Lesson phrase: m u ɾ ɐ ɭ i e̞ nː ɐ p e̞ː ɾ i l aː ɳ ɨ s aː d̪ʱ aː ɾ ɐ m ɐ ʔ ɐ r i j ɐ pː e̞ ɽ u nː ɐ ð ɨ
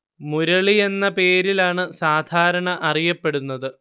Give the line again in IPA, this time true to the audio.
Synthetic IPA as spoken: m u ɾ ɐ ɭ i e̞ nː ɐ p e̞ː ɾ i l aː ɳ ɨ s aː d̪ʱ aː ɾ ɐ ɳ ɐ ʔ ɐ r i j ɐ pː e̞ ɽ u nː ɐ ð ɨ